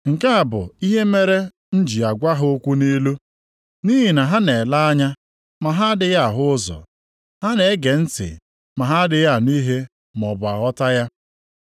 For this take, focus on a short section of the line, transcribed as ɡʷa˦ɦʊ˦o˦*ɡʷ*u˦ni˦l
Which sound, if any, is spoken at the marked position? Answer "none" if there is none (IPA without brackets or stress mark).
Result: kʷ